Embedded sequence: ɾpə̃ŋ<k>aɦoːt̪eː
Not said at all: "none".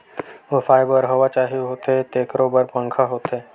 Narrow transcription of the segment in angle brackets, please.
kʰ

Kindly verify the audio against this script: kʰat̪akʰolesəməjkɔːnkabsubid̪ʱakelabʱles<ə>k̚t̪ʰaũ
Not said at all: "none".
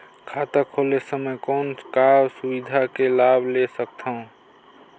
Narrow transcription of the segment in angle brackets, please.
ə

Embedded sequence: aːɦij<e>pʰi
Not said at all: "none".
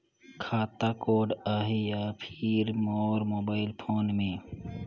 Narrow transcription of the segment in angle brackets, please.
a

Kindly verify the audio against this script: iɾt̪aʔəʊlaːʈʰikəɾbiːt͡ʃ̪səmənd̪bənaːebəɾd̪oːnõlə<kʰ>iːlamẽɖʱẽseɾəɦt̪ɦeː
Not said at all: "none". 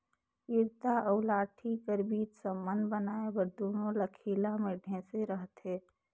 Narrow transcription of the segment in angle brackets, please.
kʰ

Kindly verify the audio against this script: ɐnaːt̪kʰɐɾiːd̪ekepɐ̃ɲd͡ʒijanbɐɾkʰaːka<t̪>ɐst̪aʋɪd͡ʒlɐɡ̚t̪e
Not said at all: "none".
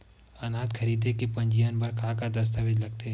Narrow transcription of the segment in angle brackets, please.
d̪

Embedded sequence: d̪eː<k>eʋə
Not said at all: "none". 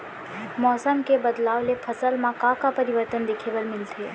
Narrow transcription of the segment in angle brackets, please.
kʰ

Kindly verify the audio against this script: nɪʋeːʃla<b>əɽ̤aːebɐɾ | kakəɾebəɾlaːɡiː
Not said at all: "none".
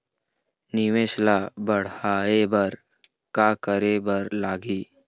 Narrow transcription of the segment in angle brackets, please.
b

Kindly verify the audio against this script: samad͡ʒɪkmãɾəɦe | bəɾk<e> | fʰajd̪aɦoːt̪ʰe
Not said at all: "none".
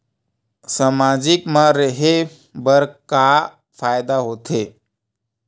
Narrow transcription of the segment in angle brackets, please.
a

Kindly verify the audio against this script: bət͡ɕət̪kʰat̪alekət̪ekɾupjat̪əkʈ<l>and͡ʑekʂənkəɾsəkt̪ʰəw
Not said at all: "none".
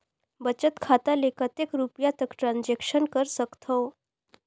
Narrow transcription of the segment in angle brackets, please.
ɾ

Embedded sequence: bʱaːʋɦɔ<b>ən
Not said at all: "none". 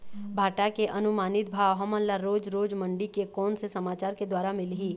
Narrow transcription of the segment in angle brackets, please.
m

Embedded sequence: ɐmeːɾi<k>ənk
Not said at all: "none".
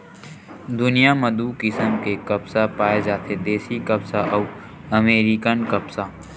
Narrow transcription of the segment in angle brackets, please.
k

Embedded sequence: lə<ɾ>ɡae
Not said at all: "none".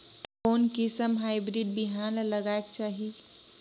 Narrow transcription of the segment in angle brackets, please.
none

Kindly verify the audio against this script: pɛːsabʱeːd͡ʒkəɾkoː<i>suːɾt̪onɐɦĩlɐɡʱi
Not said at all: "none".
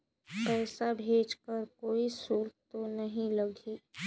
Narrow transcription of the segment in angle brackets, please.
i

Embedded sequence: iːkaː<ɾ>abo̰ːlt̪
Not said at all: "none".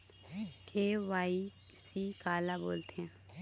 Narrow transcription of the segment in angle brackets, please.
l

